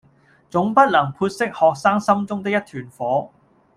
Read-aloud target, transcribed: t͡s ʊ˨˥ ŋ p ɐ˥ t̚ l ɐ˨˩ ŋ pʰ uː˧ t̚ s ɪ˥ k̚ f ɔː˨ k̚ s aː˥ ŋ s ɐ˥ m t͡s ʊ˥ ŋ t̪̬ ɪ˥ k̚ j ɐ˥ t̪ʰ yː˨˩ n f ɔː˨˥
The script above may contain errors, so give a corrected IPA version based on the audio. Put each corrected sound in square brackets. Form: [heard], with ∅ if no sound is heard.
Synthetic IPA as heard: t͡s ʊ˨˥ ŋ p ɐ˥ t̚ l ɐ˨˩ ŋ pʰ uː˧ t̚ s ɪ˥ k̚ [h] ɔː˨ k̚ s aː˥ ŋ s ɐ˥ m t͡s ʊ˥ ŋ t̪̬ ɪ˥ k̚ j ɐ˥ t̪ʰ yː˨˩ n f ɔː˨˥